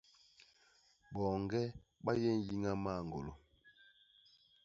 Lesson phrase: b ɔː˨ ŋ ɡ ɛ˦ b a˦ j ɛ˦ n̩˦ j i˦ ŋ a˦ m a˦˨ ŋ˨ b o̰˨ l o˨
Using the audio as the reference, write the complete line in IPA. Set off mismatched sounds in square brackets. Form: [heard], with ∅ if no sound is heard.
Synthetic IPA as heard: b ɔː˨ ŋ ɡ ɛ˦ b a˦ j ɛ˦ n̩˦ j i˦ ŋ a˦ m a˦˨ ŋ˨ [ɡ] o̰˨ l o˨

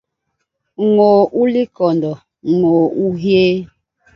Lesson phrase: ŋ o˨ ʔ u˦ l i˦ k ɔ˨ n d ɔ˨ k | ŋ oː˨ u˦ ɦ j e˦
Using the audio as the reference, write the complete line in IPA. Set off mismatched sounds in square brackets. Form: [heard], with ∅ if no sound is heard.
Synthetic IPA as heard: ŋ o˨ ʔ u˦ l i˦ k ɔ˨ n d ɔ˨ [∅] | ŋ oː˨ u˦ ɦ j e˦

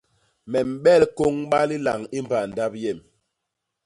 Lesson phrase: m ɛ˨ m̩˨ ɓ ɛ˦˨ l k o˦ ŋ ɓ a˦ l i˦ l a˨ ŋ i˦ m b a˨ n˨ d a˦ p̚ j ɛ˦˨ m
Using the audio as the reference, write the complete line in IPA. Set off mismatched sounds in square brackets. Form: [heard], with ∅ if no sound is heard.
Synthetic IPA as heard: m ɛ˨ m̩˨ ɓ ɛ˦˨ l k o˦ ŋ ɓ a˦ l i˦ l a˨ ŋ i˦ m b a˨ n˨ d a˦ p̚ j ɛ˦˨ m

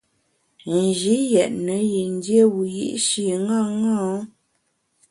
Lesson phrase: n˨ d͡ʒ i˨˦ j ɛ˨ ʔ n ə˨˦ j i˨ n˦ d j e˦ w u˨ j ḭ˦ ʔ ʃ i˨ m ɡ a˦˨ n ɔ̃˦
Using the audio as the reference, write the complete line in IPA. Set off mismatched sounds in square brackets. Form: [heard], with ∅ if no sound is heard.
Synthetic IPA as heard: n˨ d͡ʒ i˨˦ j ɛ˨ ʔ n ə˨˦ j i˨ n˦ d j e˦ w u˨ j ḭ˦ ʔ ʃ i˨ [ŋ] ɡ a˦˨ [ŋ] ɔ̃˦

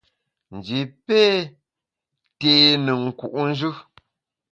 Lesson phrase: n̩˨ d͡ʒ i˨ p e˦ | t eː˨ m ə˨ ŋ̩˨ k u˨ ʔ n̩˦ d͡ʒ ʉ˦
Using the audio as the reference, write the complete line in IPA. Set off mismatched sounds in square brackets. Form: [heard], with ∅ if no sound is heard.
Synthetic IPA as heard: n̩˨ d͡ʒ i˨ p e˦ | t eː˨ [n] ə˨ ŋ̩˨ k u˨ ʔ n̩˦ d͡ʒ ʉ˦

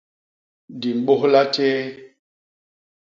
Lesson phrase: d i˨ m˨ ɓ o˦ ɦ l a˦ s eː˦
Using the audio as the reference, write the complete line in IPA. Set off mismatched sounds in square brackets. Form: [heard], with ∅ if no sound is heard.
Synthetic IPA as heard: d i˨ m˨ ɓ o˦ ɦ l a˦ [t] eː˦

